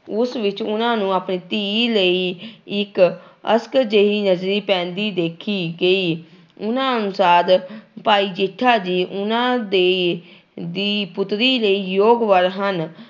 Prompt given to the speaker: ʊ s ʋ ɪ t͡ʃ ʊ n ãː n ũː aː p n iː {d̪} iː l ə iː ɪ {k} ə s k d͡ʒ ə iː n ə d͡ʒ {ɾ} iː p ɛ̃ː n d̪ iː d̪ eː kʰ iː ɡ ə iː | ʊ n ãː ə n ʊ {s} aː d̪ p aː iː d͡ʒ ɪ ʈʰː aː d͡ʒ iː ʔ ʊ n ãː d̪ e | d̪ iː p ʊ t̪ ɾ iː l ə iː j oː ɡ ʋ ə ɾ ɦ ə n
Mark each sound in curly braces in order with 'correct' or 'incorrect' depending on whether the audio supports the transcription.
incorrect, correct, correct, correct

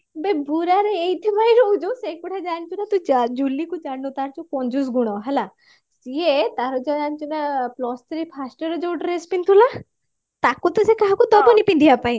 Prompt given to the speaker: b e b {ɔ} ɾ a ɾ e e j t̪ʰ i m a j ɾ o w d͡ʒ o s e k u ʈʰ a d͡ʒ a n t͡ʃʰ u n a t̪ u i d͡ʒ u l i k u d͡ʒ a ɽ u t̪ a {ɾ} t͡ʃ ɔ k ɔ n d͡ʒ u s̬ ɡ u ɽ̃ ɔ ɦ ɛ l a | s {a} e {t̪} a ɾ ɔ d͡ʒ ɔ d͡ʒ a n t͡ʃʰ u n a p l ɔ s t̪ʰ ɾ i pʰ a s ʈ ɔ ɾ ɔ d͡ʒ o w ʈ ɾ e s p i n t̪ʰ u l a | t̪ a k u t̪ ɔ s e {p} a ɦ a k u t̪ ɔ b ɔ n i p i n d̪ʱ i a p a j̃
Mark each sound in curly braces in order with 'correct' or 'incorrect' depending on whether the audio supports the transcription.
incorrect, correct, incorrect, correct, incorrect

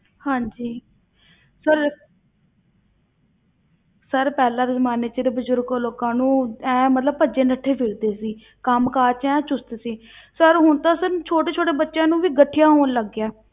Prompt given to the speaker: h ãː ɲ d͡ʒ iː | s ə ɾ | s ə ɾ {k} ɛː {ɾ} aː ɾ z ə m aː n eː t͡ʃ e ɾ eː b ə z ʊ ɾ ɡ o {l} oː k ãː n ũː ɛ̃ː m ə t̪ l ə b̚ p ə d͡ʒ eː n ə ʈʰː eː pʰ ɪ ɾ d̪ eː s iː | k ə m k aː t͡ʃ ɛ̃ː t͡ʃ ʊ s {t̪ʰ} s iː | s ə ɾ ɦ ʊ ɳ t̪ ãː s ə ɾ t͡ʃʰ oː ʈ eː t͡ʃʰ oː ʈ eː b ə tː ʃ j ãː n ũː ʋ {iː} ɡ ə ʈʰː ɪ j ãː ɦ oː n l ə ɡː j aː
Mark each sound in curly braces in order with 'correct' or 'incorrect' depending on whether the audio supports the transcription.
incorrect, incorrect, correct, incorrect, correct

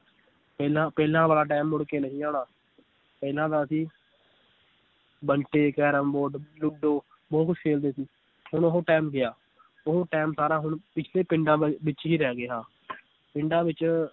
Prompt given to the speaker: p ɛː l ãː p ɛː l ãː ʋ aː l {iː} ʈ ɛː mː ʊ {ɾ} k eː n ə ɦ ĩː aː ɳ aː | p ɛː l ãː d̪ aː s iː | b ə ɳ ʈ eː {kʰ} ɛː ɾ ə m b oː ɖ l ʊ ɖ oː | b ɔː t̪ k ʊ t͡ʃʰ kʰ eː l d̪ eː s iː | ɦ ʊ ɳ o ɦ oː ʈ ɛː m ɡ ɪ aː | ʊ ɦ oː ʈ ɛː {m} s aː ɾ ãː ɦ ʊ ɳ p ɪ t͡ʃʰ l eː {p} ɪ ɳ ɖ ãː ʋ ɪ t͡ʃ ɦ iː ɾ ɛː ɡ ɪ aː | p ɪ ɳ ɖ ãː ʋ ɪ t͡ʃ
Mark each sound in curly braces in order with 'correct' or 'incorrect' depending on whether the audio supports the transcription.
incorrect, incorrect, incorrect, correct, correct

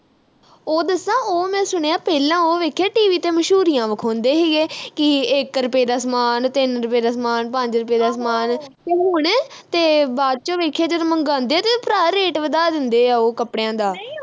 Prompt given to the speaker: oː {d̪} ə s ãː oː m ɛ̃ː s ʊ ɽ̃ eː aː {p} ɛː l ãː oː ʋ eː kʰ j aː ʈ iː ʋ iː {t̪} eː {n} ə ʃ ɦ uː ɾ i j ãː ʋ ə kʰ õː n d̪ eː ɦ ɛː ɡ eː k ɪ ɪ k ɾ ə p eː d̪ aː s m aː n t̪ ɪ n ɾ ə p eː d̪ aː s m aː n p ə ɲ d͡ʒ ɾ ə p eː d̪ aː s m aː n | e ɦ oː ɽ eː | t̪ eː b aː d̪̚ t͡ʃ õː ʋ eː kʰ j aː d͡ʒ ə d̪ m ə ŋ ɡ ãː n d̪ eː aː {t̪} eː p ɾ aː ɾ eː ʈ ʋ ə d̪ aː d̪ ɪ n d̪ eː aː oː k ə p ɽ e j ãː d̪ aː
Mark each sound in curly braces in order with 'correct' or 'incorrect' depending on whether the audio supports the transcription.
correct, correct, correct, incorrect, correct

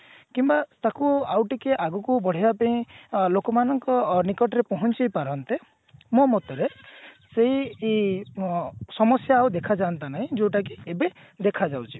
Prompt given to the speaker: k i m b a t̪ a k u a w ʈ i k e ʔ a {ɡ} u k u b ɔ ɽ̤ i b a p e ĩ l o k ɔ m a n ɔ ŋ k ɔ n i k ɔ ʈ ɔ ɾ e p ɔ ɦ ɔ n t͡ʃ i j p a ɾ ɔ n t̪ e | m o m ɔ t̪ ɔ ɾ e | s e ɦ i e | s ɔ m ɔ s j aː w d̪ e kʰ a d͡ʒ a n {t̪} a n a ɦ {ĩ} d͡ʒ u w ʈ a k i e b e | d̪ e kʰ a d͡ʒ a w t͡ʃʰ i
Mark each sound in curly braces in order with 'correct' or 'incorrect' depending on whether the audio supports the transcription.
correct, correct, correct

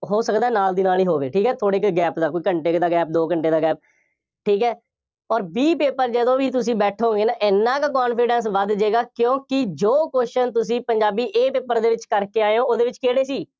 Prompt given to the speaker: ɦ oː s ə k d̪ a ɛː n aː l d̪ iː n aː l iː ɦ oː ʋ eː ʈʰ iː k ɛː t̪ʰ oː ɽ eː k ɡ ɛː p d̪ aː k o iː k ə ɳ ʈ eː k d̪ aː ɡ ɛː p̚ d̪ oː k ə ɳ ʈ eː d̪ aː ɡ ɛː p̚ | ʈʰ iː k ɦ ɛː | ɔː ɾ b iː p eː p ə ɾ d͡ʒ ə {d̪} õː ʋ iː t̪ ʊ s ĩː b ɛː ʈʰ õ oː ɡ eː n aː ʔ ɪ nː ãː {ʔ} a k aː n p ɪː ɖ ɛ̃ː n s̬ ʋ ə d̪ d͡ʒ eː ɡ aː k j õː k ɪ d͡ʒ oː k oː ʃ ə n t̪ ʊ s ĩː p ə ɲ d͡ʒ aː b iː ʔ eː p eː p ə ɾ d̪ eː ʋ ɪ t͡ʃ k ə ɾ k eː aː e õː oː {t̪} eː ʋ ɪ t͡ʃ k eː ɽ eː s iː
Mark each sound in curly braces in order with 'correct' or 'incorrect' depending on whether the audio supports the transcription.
correct, incorrect, incorrect

